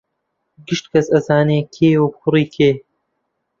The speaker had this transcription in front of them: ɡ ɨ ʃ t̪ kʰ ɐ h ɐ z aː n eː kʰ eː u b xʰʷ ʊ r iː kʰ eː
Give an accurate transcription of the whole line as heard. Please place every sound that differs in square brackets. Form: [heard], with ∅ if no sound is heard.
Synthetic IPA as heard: ɡ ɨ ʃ t̪ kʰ ɐ [s] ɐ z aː n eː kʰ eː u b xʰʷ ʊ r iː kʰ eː